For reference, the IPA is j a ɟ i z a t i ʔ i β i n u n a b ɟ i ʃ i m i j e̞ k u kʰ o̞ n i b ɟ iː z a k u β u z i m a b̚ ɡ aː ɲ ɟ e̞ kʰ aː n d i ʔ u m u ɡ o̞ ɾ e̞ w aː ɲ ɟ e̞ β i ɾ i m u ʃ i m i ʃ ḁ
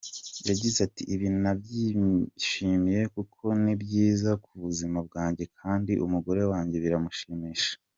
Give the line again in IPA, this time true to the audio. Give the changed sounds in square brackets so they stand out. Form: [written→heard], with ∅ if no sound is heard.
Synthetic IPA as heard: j a ɟ i z a t i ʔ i β i n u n a b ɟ i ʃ i m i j e̞ k u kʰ o̞ n i b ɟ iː z a k u β u z i m a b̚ ɡ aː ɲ ɟ e̞ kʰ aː n d i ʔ u m u ɡ o̞ ɾ e̞ w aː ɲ ɟ e̞ β i ɾ [i→a] m u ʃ i m i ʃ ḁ